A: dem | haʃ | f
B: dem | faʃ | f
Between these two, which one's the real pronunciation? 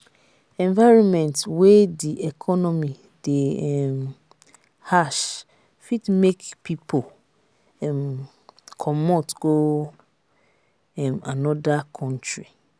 A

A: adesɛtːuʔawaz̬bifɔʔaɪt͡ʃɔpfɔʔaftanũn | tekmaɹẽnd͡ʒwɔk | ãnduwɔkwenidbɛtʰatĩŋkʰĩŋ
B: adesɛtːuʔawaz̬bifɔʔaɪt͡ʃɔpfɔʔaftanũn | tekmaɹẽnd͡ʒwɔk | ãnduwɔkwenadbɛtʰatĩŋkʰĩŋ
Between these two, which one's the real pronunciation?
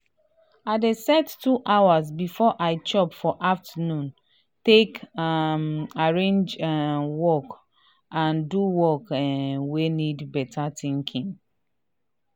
A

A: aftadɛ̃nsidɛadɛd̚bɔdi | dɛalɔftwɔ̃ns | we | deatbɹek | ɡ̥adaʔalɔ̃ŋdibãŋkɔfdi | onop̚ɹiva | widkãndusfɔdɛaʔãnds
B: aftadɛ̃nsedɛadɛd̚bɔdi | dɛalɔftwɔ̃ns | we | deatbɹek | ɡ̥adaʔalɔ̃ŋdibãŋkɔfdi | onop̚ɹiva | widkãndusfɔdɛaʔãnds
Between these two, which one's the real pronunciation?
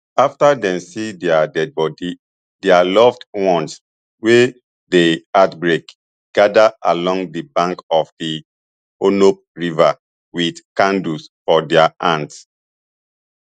A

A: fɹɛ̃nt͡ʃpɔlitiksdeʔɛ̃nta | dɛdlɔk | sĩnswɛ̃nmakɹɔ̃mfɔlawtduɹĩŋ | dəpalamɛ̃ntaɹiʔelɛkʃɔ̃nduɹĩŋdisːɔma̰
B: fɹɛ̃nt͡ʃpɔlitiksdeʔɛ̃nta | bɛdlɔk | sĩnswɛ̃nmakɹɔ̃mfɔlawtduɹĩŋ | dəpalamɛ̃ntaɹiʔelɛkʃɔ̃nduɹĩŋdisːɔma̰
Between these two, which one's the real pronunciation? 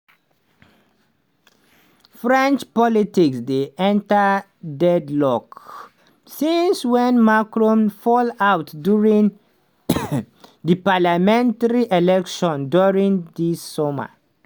A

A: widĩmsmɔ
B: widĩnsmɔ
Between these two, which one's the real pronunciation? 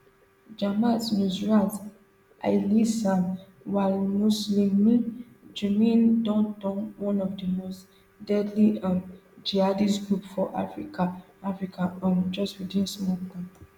B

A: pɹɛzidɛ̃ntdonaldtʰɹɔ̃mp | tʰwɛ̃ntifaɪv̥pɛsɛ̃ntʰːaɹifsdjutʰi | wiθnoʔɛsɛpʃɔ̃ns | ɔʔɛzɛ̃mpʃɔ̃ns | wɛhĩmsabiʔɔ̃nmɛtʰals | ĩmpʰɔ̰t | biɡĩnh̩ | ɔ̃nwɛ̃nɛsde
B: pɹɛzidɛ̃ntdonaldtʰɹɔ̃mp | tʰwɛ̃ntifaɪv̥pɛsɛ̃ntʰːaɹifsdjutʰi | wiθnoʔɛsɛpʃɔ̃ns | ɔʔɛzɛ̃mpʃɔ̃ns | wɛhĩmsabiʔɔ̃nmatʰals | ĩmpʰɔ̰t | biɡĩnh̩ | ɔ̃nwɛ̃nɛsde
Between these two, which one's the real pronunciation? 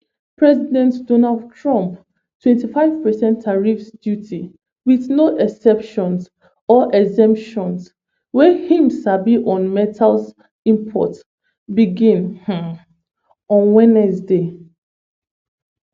A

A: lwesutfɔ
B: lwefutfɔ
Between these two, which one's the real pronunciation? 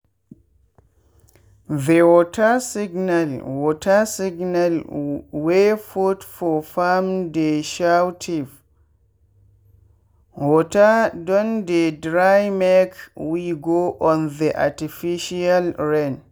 B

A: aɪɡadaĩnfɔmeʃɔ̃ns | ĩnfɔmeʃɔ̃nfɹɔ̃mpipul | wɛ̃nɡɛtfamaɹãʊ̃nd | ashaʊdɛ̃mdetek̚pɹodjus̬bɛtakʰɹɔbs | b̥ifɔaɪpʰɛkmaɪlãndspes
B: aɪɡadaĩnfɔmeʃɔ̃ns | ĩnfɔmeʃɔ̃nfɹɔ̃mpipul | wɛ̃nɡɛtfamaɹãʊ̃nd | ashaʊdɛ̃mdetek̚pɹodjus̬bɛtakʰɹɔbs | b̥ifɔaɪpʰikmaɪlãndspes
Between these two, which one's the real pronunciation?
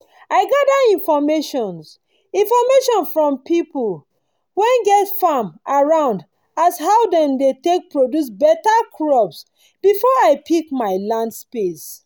B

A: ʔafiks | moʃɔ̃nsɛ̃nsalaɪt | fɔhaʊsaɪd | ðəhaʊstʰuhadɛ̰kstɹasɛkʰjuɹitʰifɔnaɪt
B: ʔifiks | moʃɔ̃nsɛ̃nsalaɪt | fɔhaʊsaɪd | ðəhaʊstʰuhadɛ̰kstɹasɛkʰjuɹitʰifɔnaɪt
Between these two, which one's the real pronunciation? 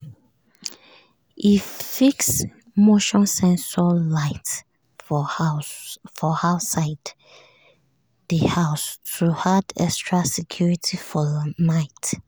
B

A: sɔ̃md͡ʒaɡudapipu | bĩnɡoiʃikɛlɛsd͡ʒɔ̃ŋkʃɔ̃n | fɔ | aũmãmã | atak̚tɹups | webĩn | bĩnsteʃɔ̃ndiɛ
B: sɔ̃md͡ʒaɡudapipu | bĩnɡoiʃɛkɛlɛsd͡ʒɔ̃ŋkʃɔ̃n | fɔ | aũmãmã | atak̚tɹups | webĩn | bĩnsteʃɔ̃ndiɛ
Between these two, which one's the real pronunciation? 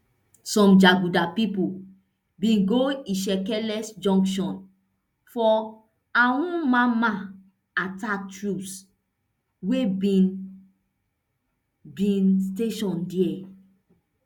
B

